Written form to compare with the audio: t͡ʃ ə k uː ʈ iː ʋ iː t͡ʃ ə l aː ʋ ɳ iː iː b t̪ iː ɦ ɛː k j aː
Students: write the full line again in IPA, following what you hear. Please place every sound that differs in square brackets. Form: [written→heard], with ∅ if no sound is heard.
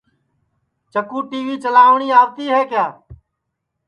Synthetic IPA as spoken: t͡ʃ ə k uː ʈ iː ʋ iː t͡ʃ ə l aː ʋ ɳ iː [iː→aː] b t̪ iː ɦ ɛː k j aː